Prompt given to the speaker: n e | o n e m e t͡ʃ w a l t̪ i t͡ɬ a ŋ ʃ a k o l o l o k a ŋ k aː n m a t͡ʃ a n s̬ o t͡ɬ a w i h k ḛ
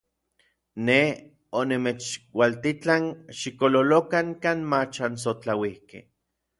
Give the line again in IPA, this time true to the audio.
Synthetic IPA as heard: n e | o n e m e t͡ʃ w a l t̪ i t͡ɬ a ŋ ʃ i k o l o l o k a ŋ k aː n m a t͡ʃ a n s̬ o t͡ɬ a w i h k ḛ